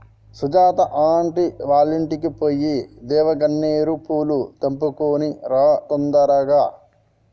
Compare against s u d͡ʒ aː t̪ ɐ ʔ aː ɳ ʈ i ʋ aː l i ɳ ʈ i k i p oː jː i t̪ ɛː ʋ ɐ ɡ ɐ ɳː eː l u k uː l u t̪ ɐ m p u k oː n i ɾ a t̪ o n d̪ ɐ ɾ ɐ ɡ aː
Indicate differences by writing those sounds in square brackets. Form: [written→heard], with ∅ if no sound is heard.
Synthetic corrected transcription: s u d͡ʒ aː t̪ ɐ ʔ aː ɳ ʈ i ʋ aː l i ɳ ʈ i k i p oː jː i [t̪→d̪] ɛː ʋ ɐ ɡ ɐ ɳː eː [l→ɾ] u [k→p] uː l u t̪ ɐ m p u k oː n i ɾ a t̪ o n d̪ ɐ ɾ ɐ ɡ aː